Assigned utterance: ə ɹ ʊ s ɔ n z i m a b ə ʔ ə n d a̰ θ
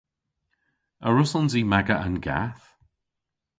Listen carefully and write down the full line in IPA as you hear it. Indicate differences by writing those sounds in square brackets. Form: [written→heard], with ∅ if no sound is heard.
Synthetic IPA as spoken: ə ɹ ʊ s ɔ n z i m a [b→ɡ] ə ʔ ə n [d→ɡ] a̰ θ